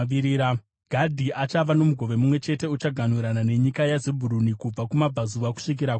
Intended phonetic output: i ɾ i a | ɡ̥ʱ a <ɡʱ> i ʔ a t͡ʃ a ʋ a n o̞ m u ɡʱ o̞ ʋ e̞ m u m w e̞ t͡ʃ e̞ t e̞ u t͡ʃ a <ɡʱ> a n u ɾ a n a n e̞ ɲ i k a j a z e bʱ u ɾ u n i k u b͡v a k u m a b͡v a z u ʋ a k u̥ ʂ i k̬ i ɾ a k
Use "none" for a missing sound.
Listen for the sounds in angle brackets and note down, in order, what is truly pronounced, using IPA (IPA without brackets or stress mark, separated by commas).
dʱ, ɡʱ